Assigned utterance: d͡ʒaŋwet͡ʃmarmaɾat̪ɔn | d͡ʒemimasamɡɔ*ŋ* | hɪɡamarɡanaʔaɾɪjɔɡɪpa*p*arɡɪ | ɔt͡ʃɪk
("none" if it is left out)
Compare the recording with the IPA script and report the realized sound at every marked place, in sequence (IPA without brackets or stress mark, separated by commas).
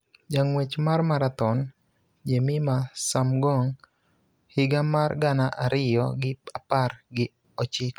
ŋ, p